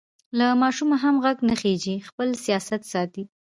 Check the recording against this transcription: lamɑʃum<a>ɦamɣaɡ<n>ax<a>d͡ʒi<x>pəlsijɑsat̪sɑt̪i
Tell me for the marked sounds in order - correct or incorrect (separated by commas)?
correct, correct, incorrect, correct